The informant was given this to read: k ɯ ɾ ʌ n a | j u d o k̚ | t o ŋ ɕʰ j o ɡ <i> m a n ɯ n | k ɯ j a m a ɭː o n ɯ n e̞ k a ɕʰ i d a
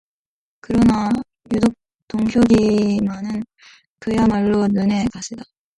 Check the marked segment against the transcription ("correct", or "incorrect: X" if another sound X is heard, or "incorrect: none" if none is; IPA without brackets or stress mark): correct